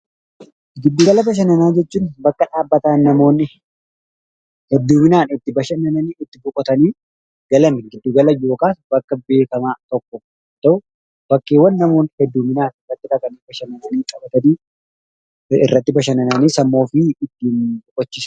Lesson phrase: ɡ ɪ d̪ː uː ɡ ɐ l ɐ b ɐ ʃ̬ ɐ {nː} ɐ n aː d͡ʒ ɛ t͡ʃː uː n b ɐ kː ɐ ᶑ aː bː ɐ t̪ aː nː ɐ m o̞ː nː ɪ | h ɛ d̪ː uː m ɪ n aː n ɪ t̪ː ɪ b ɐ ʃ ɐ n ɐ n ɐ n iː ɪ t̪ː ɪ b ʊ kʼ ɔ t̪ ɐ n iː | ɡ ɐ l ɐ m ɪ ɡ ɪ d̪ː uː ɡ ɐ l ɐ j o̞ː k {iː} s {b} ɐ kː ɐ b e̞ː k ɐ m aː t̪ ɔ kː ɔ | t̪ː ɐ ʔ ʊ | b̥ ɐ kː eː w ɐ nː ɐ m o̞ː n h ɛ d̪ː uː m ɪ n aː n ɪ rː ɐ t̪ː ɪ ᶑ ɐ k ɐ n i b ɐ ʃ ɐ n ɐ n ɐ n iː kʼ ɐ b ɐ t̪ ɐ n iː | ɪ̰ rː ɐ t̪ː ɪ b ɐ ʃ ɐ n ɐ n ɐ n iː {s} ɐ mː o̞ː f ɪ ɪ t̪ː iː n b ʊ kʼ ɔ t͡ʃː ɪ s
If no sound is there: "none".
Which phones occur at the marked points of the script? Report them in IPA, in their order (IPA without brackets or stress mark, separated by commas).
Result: n, aː, b, s